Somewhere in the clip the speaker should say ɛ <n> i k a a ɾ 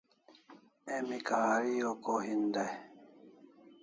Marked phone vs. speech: incorrect: m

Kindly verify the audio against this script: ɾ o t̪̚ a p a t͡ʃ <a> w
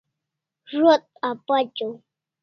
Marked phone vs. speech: correct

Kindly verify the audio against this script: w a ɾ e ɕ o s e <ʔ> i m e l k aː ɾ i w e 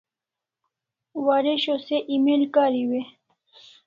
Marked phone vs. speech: correct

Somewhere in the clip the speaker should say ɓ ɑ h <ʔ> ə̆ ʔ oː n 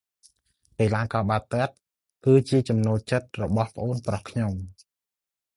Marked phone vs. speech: incorrect: p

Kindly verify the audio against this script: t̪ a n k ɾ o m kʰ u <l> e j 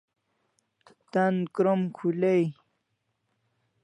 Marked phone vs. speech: correct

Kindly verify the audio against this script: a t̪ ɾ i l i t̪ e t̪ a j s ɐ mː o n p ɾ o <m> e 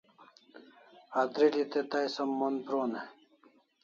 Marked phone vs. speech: incorrect: n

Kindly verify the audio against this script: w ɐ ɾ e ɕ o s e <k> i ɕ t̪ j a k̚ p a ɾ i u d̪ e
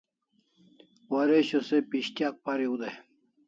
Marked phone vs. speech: incorrect: p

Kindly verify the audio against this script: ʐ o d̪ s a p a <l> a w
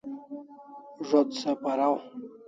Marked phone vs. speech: incorrect: ɾ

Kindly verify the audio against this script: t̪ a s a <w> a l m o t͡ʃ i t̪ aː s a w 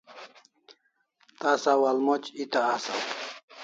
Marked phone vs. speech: correct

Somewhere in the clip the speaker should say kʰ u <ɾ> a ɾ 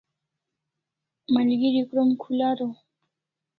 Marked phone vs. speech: incorrect: l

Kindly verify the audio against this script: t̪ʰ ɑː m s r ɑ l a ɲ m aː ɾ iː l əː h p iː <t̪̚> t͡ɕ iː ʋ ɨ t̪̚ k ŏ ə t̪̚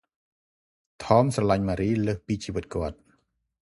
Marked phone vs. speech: incorrect: none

